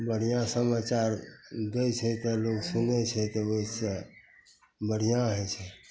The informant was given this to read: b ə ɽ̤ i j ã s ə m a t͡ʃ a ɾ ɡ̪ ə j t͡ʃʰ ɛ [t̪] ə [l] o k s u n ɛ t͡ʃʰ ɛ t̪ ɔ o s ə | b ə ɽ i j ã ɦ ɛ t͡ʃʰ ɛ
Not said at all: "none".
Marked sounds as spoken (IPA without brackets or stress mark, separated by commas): t̪, l